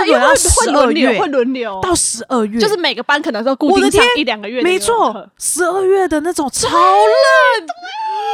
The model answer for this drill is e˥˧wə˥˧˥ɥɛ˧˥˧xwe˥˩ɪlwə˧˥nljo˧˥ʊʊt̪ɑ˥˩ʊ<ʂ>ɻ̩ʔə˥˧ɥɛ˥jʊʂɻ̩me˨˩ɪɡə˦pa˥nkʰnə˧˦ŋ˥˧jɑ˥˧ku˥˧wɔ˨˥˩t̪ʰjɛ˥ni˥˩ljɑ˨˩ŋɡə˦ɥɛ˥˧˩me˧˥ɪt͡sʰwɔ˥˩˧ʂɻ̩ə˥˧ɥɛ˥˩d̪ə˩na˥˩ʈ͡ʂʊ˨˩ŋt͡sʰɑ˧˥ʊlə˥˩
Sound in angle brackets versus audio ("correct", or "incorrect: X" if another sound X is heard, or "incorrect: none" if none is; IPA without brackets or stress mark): correct